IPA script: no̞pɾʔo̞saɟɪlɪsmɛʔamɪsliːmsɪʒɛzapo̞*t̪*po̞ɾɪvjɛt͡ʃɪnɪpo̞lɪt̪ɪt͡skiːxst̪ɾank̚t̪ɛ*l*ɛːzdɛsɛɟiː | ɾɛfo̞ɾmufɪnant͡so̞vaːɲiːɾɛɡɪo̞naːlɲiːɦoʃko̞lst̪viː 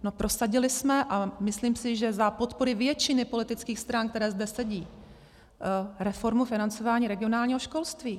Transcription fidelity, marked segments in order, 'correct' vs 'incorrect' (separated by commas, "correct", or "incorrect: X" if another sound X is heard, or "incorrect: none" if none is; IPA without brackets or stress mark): correct, incorrect: ɾ